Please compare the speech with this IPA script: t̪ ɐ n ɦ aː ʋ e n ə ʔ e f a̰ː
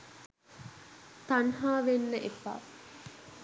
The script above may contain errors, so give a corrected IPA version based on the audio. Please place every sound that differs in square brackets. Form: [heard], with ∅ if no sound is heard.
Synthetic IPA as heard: t̪ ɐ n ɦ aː ʋ e [nː] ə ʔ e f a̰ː

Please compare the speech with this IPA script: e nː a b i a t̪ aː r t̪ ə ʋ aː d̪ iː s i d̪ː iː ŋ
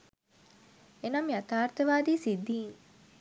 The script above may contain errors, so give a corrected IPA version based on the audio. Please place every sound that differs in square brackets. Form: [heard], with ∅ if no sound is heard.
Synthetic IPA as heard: e [n] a [m] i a t̪ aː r t̪ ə ʋ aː d̪ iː s i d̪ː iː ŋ

